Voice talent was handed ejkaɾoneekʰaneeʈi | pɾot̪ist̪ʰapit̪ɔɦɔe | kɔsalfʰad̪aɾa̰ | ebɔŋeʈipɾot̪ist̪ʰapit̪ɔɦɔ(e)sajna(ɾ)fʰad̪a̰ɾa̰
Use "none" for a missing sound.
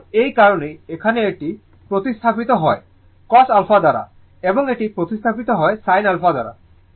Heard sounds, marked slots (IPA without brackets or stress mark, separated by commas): e, l